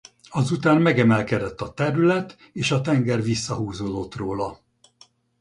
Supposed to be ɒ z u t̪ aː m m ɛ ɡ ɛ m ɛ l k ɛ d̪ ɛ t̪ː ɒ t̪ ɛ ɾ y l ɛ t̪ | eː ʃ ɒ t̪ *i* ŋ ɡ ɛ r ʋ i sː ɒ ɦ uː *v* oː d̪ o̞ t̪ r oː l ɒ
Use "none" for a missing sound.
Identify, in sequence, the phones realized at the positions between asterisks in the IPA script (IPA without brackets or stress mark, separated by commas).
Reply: ɛ, z